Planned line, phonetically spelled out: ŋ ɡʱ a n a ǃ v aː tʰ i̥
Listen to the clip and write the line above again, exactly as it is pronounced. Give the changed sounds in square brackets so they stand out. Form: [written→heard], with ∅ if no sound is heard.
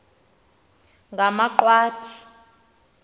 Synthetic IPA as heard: ŋ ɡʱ a [n→m] a ǃ [v→w] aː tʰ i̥